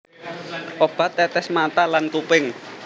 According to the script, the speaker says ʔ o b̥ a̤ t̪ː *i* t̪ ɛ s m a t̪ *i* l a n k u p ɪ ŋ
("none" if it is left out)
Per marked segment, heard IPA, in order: ɛ, a

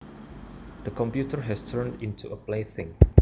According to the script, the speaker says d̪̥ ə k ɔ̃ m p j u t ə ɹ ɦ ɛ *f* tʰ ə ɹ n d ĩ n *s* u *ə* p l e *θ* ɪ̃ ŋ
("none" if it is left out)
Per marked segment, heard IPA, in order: s, t, ə, θ

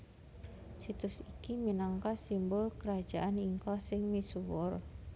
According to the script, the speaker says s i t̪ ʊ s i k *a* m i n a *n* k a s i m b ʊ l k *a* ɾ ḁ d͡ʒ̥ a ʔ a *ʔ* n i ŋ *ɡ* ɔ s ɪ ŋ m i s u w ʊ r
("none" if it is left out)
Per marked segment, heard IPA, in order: i, ŋ, ə, none, k

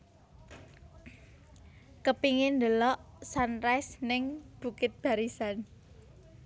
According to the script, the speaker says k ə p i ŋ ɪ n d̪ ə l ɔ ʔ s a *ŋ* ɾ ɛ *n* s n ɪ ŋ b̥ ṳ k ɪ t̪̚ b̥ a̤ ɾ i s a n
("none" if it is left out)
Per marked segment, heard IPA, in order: n, none

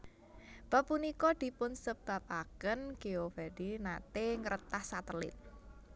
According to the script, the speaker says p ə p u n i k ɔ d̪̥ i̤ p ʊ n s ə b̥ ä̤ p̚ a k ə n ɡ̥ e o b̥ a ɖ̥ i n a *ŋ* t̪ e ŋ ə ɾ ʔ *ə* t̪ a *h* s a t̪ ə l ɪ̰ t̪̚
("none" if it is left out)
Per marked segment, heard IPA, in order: none, ə, h

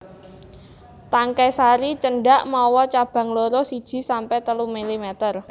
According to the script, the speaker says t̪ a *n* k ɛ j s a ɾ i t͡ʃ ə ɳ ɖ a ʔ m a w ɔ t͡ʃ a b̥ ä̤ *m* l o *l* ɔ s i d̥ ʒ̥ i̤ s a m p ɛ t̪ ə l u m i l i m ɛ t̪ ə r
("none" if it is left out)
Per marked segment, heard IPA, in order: ŋ, ŋ, ɾ

